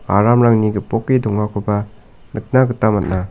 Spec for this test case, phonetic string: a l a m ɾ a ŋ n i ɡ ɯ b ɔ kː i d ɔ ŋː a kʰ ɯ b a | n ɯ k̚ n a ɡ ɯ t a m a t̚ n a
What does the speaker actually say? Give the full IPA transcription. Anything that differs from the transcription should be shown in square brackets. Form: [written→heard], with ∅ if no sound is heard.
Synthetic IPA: a [l→ɾ] a m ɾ a ŋ n i ɡ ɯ [b→p] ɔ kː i d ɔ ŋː a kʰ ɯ b a | n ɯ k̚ n a ɡ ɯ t a m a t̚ n a